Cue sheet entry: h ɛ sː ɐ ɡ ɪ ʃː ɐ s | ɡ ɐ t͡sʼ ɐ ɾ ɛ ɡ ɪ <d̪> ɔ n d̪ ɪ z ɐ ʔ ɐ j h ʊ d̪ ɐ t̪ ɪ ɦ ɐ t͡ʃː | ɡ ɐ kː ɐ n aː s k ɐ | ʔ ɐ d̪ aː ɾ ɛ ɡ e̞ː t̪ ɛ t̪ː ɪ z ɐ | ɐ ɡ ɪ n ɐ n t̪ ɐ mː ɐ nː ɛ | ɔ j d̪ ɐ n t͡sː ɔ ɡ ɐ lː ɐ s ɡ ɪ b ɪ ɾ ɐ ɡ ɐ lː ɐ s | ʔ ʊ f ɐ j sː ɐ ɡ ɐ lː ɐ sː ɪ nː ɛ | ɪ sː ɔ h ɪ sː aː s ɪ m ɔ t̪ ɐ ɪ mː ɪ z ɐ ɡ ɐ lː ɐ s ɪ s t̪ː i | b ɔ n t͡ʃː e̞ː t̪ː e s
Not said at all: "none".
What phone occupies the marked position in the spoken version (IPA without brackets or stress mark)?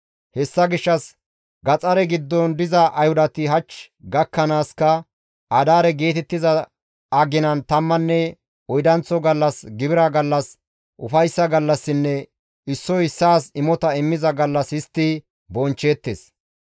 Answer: d̪ː